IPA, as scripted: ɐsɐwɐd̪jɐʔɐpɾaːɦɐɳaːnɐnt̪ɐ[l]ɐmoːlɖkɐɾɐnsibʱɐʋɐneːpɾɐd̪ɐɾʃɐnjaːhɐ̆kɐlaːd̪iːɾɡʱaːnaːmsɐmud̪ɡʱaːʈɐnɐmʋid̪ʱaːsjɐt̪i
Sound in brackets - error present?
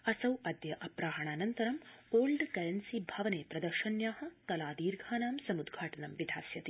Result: yes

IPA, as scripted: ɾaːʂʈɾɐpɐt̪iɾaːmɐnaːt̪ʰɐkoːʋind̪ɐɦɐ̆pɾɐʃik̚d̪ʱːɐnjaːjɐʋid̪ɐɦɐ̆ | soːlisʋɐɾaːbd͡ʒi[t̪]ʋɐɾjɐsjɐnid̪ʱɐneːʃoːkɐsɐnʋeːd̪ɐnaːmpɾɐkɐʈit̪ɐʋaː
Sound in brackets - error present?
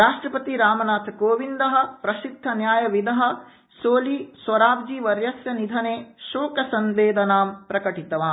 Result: yes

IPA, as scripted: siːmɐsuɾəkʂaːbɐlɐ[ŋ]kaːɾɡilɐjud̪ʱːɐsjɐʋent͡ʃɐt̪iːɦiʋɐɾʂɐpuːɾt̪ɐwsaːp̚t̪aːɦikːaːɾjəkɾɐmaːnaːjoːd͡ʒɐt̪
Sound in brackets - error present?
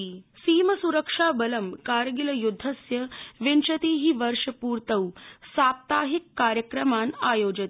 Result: yes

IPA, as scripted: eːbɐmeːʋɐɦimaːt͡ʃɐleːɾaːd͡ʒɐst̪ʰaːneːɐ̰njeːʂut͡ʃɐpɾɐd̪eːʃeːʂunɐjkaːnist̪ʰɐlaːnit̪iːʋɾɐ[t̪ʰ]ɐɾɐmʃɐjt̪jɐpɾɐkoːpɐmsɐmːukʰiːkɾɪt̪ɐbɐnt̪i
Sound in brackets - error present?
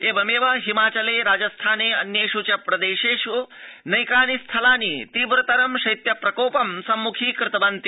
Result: yes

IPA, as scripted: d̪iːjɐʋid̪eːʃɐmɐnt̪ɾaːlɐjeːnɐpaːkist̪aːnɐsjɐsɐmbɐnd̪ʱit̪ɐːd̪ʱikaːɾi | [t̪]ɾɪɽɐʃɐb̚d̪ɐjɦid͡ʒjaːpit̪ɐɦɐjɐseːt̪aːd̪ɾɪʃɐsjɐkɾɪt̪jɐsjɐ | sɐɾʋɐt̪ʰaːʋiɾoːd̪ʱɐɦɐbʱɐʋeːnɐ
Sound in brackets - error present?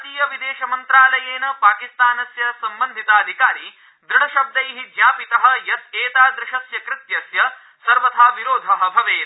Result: yes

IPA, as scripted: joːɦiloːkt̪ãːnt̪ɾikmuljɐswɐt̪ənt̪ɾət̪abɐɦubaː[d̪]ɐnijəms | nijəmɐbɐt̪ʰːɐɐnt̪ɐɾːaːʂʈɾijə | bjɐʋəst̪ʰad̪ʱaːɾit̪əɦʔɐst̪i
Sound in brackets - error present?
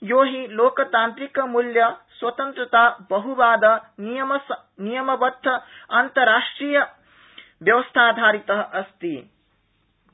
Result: no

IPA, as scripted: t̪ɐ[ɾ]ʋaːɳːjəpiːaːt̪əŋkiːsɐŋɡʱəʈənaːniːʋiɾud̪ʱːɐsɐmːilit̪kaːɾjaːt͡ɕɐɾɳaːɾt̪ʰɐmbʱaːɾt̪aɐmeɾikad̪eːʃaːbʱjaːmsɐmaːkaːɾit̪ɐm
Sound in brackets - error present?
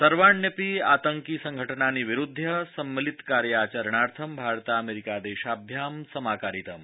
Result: no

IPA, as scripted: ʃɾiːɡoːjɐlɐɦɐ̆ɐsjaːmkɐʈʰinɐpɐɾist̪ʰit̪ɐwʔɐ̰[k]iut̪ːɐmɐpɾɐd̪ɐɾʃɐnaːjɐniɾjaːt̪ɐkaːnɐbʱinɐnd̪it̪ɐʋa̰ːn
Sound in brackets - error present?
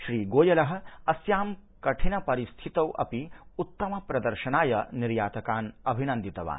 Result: yes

